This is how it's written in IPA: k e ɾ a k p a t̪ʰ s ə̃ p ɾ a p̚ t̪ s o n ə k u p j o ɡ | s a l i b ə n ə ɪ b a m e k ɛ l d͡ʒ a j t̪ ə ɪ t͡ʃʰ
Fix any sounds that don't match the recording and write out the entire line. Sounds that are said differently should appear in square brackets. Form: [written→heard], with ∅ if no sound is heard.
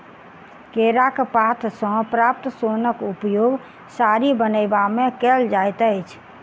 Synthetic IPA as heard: k e ɾ a k p a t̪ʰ s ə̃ p ɾ a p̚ t̪ s o n ə k u p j o ɡ | s a [l→ɾ] i b ə n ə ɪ b a m e k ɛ l d͡ʒ a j t̪ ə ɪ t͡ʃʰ